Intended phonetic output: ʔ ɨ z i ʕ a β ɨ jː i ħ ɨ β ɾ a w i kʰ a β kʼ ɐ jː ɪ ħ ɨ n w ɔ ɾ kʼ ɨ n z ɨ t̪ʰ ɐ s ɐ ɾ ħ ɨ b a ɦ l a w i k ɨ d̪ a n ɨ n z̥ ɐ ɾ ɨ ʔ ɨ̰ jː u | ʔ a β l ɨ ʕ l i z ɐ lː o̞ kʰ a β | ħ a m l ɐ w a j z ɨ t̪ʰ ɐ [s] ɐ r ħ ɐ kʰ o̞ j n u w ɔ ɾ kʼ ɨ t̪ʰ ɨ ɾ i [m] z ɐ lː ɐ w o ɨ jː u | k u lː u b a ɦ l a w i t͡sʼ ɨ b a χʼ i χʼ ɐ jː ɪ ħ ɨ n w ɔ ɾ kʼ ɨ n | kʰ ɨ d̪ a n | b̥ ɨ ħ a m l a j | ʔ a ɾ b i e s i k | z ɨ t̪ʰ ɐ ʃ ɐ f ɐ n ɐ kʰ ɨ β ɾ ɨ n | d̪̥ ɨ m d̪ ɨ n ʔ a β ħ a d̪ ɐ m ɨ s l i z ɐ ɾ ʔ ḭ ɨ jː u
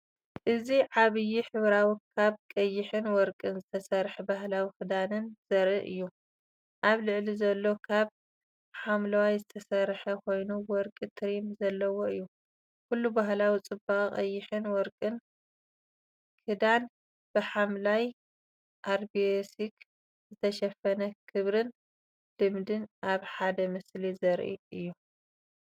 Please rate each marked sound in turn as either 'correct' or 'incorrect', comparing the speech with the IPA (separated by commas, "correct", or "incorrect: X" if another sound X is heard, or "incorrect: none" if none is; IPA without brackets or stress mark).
correct, correct